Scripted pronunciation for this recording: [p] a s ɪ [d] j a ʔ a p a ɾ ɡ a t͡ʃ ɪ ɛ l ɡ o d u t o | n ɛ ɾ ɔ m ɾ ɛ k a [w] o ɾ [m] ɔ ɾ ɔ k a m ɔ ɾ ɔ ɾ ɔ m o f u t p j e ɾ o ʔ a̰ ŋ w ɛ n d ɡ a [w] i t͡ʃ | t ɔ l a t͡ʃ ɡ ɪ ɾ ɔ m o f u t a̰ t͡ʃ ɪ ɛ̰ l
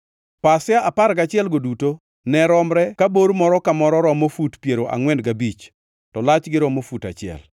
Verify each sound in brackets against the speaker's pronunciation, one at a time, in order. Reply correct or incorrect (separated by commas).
correct, incorrect, incorrect, correct, incorrect